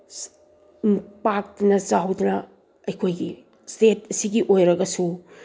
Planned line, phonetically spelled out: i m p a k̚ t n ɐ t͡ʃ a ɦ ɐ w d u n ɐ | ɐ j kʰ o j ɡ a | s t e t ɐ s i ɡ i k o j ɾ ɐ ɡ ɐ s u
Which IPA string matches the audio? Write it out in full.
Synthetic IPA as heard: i m p a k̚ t n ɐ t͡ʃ a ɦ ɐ w d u n ɐ | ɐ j kʰ o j ɡ i | s t e t ɐ s i ɡ i ʔ o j ɾ ɐ ɡ ɐ s u